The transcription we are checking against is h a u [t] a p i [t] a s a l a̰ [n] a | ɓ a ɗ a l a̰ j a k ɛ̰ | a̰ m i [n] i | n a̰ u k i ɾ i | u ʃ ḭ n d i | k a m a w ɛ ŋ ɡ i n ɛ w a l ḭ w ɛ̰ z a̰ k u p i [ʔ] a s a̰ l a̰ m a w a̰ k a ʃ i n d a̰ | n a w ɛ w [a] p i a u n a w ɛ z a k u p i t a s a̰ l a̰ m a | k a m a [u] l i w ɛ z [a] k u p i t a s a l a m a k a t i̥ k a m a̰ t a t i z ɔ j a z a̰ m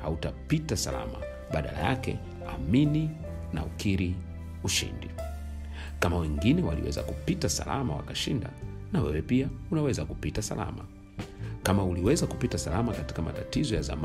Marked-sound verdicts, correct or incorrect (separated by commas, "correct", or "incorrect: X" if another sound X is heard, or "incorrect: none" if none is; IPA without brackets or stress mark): correct, correct, incorrect: m, correct, incorrect: t, incorrect: ɛ, correct, correct